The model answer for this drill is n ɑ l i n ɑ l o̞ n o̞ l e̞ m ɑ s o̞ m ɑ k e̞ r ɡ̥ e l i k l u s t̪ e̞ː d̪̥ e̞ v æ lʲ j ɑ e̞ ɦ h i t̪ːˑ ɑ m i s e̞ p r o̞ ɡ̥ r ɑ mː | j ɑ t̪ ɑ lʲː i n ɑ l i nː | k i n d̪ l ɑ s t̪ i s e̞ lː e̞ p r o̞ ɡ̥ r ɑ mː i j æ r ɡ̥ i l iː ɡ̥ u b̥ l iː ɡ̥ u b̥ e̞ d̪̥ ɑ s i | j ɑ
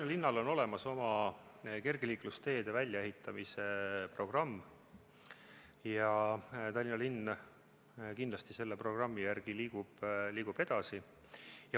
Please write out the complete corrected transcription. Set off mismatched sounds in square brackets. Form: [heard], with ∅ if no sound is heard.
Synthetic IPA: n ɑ l i [nː] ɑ l o̞ n o̞ l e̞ m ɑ s o̞ m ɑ k e̞ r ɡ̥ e l [iː] k l u s t̪ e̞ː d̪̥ e̞ v æ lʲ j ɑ e̞ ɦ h i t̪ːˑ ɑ m i s e̞ p r o̞ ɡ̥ r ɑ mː | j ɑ t̪ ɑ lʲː i n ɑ l i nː | k i n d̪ l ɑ s t̪ i s e̞ lː e̞ p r o̞ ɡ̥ r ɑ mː i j æ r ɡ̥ i l iː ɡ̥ u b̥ l iː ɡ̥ u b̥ e̞ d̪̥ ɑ s i | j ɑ

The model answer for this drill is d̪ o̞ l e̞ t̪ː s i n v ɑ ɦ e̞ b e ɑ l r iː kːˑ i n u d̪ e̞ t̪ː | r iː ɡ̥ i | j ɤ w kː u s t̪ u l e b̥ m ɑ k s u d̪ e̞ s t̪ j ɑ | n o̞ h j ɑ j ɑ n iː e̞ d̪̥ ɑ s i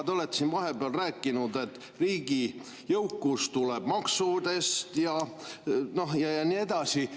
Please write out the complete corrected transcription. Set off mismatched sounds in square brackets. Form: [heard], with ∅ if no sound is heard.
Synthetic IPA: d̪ o̞ l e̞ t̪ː s i n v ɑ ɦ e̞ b e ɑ l r [æː] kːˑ i n u d̪ e̞ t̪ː | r iː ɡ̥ i | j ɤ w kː u s t̪ u l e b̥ m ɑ k s u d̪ e̞ s t̪ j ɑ | n o̞ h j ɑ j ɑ n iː e̞ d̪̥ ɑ s i

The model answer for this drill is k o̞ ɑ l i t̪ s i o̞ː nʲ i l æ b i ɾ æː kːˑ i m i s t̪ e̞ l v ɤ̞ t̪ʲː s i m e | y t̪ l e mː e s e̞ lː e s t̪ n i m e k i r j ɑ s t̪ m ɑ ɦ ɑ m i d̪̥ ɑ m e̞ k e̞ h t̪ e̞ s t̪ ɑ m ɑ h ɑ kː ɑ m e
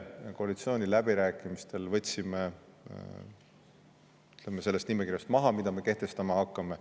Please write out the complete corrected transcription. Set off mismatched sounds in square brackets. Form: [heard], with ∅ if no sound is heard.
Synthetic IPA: k o̞ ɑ l i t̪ s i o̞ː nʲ i l æ b i ɾ æː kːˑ i m i s t̪ e̞ l v ɤ̞ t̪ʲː s i m e | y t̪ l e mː e s e̞ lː e s t̪ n i m e k i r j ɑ s t̪ m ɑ ɦ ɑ m i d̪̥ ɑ m e̞ k e̞ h t̪ e̞ s t̪ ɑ m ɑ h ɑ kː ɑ m e

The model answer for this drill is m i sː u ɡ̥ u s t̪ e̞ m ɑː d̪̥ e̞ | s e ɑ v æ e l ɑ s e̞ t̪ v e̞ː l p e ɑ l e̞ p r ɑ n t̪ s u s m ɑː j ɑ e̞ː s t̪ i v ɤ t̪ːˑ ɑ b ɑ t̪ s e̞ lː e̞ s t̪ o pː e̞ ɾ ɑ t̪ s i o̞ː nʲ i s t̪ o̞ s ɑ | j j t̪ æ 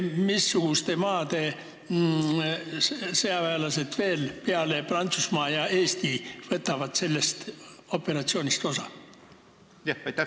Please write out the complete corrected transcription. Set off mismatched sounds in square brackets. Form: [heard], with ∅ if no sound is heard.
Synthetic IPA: m i sː u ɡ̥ u s t̪ e̞ m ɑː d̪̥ e̞ | s e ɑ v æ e l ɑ s e̞ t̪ v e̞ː l p e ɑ l e̞ p r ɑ n t̪ s u s m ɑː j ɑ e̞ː s t̪ i v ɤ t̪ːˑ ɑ [v] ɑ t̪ s e̞ lː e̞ s t̪ o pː e̞ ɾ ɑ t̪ s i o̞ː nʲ i s t̪ o̞ s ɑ | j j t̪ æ

